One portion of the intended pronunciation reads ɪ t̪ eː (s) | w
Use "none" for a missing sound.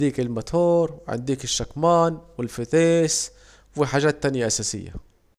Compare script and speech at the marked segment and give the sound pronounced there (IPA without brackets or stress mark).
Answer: s